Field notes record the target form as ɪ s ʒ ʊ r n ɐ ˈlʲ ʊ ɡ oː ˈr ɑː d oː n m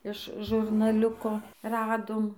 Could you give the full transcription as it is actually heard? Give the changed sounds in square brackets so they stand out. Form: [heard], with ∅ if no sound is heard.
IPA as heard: ɪ [ʃ] ʒ ʊ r n ɐ ˈlʲ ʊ [k] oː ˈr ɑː d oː [∅] m

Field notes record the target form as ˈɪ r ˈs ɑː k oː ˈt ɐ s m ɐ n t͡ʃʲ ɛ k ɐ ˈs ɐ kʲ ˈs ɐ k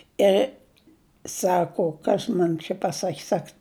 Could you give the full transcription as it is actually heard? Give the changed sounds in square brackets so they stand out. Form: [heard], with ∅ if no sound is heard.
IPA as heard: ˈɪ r ˈs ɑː k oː [ˈk] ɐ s m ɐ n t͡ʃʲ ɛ [p] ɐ ˈs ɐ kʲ ˈs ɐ k

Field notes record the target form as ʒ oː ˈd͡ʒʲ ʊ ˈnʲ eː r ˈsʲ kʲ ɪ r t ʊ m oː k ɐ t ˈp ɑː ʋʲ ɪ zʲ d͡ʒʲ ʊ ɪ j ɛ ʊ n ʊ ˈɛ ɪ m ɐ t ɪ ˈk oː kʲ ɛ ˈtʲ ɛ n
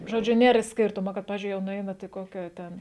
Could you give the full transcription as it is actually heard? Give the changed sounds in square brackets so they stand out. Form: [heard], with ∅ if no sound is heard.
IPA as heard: ʒ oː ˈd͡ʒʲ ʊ ˈnʲ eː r ˈsʲ kʲ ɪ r t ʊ m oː k ɐ t ˈp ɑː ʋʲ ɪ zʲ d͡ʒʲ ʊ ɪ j ɛ ʊ n ʊ ˈɛ ɪ [n] ɐ t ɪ ˈk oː kʲ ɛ ˈtʲ ɛ n

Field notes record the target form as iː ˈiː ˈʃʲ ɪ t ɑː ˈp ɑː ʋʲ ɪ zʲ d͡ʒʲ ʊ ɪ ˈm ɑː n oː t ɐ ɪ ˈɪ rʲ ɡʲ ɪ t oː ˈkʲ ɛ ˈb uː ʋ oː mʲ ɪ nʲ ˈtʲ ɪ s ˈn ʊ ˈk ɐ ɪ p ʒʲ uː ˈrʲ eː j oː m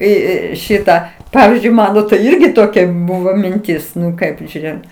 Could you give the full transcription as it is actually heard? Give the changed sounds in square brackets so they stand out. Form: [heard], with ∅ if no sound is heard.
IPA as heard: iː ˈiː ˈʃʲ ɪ t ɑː ˈp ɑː ʋʲ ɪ zʲ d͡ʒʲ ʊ ɪ ˈm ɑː n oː t ɐ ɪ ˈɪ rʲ ɡʲ ɪ t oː ˈkʲ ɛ ˈb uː ʋ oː mʲ ɪ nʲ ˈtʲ ɪ s ˈn ʊ ˈk ɐ ɪ p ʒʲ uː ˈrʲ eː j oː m

